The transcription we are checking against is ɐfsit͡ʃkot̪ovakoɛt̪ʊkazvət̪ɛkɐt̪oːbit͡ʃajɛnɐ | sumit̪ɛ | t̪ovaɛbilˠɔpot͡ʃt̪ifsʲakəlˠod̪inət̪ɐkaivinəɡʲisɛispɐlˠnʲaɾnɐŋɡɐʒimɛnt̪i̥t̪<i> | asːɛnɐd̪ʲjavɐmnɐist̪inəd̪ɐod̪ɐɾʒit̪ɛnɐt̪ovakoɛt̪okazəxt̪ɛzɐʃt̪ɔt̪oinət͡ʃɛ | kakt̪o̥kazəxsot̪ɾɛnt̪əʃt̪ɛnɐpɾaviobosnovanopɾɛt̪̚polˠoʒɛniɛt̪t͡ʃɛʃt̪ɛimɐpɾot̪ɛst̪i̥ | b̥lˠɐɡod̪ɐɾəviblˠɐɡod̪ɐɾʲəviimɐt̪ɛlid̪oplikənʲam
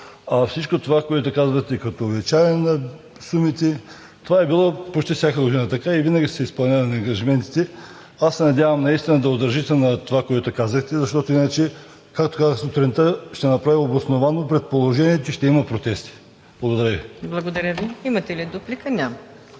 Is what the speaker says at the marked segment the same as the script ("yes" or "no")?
no